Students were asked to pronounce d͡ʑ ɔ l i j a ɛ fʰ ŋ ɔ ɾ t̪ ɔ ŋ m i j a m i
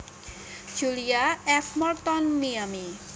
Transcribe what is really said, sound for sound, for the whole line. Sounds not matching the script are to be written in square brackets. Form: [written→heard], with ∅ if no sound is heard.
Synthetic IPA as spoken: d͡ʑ [ɔ→u] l i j a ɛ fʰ [ŋ→m] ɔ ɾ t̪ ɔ [ŋ→n] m i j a m i